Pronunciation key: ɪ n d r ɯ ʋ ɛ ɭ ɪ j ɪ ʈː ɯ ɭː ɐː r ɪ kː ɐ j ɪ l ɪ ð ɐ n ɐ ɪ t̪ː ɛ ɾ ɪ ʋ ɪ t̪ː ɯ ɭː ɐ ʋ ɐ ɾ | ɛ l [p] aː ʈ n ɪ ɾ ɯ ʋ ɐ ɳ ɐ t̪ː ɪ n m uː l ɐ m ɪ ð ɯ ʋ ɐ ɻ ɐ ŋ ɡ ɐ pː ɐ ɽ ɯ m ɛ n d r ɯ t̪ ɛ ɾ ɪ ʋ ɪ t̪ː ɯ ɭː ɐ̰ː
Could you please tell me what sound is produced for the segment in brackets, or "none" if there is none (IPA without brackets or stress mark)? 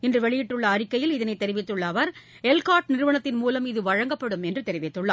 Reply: k